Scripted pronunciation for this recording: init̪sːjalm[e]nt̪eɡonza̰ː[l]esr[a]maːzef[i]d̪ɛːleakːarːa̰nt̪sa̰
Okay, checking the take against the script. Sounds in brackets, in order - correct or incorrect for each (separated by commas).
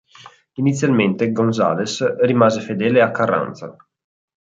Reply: correct, correct, incorrect, incorrect